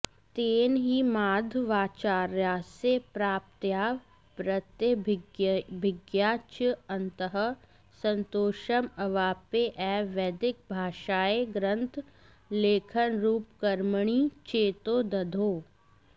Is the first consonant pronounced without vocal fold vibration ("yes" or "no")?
yes